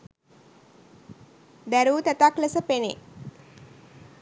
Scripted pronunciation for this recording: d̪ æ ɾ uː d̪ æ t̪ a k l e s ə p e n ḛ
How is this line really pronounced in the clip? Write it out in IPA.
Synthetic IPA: d̪ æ ɾ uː t̪ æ t̪ a k l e s ə p e n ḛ